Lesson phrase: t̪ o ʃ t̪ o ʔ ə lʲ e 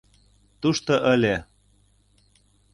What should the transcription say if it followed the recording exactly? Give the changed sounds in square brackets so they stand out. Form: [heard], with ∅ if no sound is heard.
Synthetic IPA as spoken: t̪ [u] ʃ t̪ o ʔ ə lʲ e